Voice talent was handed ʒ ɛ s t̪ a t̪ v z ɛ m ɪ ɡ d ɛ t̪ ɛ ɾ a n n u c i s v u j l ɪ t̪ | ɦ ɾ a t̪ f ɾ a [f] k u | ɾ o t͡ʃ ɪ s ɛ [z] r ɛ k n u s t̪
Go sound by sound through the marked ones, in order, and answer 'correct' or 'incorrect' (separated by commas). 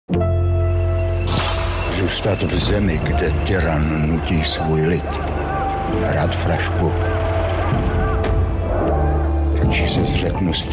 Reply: incorrect, correct